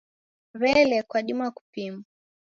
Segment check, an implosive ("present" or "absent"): present